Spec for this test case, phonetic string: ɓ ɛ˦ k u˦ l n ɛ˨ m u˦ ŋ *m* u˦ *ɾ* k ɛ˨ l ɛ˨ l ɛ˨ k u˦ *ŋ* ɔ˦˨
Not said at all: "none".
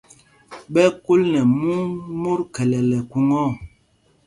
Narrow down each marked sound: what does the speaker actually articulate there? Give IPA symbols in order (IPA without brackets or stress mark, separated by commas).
m, ɾ, ŋ